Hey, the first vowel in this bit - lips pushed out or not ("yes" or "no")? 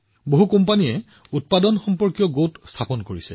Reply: yes